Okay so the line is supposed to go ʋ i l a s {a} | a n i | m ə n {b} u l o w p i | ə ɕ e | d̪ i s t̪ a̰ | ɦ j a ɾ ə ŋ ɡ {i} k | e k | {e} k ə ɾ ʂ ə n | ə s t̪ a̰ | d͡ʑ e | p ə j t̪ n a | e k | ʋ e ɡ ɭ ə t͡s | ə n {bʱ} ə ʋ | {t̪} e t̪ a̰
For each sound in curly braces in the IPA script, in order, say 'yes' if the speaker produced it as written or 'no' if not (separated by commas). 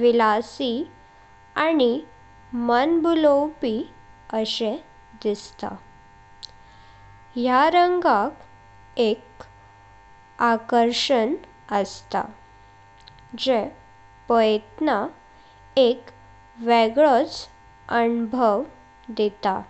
no, yes, no, no, yes, no